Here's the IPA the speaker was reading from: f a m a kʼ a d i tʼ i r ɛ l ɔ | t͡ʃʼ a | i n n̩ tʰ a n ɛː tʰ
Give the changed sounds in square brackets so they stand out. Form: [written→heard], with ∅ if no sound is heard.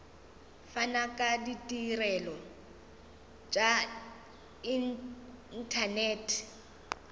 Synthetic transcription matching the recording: f a [m→n] a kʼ a d i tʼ i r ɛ l ɔ | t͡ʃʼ a | i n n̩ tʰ a n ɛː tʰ